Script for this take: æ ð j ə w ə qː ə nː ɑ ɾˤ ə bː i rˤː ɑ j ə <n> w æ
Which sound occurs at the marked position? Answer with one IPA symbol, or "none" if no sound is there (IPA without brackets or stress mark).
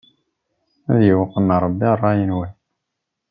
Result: n